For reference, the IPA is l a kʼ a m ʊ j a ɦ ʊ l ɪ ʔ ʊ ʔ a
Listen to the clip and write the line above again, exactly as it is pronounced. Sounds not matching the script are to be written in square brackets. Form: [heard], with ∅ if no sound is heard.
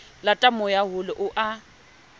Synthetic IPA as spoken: l a [tʼ] a m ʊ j a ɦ ʊ l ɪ ʔ ʊ ʔ a